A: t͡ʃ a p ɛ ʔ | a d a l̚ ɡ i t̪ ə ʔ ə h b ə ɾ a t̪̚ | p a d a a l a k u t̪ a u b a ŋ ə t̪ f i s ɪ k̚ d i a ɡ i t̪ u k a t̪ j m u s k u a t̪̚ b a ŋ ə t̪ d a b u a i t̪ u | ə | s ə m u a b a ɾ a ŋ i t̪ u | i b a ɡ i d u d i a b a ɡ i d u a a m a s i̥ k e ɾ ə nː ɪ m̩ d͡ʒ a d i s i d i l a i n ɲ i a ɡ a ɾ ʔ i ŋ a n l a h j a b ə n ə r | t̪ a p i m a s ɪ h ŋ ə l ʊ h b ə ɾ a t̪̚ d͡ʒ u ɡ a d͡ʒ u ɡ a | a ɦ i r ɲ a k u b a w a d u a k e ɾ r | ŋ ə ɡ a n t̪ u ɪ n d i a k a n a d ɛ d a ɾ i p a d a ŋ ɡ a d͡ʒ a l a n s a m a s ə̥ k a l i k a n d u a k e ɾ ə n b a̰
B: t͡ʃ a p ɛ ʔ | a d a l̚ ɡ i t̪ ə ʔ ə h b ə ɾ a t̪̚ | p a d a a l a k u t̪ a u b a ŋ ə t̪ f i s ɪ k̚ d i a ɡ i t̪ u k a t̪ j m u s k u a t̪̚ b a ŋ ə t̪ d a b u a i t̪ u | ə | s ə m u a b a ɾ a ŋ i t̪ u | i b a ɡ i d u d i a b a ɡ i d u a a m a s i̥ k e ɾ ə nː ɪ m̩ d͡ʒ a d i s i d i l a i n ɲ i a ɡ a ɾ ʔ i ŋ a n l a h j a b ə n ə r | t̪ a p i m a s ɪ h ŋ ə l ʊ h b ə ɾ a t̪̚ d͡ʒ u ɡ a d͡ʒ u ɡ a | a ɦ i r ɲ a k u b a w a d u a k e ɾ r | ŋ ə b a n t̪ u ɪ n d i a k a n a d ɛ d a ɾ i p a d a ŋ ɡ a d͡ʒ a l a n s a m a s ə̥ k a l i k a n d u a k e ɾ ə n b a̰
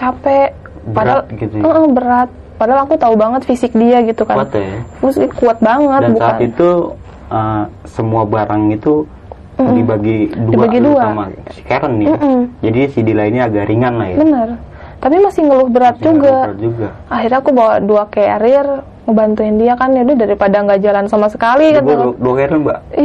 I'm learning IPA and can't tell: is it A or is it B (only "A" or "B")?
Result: B